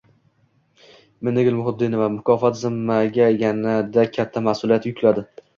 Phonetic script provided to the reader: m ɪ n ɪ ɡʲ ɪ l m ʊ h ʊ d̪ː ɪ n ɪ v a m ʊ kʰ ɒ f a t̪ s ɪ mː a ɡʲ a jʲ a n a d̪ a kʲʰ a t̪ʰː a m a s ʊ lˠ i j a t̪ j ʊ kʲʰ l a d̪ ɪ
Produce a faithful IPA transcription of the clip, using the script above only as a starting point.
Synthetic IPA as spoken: m ɪ n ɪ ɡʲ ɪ l m ʊ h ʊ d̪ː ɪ n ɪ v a m ʊ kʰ ɒ f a t̪ z ɪ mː a ɡʲ a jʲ a n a d̪ a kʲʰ a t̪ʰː a m a s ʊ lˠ i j a t̪ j ʊ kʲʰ l a d̪ ɪ